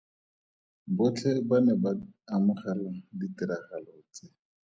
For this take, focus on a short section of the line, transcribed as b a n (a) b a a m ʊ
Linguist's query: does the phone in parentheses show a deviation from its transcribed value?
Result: yes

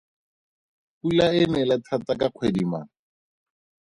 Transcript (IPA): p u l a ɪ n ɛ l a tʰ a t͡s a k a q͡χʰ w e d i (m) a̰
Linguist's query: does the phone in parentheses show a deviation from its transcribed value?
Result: no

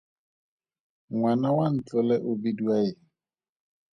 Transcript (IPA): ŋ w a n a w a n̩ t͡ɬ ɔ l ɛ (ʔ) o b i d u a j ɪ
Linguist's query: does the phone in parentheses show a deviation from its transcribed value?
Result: no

